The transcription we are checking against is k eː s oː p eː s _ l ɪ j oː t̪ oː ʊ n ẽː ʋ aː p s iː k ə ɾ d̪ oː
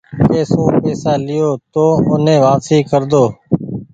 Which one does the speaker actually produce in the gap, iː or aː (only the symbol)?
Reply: aː